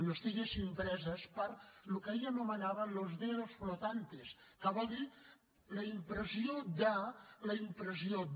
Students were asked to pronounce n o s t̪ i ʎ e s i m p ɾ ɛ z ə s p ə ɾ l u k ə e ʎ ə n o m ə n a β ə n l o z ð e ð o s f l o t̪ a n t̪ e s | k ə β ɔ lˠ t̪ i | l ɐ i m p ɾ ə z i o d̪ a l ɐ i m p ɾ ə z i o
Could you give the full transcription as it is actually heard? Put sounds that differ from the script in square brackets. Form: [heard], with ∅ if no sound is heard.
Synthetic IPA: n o s t̪ i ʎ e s i m p ɾ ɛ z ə s p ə ɾ l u k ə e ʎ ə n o m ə n a β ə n l o z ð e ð o s f l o t̪ a n t̪ e s | k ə β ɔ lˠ [d̪] i | l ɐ i m p ɾ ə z i o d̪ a l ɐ i m p ɾ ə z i o